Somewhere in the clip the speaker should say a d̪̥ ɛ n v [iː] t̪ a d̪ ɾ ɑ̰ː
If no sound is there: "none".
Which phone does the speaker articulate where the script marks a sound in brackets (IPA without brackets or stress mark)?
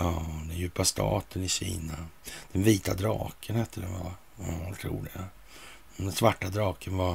iː